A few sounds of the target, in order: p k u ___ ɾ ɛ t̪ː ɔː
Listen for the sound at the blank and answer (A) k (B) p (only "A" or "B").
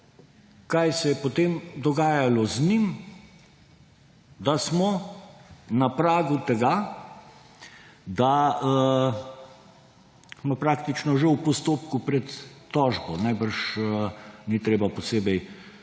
B